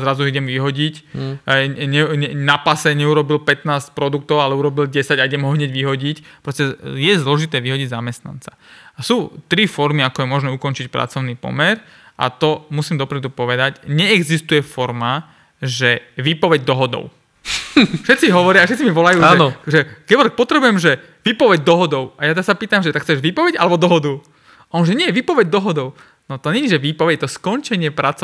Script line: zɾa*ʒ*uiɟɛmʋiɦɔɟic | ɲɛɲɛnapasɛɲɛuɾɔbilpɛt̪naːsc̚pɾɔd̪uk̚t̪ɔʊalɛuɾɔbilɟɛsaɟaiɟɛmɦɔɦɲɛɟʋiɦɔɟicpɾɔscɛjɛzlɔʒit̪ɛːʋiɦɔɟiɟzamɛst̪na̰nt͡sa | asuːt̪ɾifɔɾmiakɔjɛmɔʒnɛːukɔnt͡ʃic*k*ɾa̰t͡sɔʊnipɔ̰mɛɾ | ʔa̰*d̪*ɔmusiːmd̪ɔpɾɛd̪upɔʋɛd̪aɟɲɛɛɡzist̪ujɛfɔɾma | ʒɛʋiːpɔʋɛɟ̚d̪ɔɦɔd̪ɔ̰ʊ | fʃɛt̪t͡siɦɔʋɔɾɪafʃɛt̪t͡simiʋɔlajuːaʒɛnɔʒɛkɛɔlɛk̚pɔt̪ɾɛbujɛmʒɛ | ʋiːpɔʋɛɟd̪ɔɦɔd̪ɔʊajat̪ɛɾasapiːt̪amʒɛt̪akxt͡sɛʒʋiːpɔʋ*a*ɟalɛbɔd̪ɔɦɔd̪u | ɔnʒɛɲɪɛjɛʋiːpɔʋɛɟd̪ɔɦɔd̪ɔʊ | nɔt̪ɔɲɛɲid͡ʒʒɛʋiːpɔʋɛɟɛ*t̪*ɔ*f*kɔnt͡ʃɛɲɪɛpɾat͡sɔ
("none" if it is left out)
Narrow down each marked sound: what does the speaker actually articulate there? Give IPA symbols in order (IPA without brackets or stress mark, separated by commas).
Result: z, p, t̪, ɛ, t̪, s